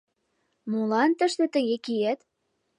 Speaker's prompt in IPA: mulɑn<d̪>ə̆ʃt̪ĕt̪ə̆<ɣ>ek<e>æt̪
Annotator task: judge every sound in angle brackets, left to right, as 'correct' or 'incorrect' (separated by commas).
incorrect, correct, incorrect